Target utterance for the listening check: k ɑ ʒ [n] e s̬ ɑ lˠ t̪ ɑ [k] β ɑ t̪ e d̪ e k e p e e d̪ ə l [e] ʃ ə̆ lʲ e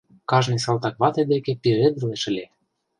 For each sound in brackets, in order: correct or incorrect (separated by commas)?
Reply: correct, correct, correct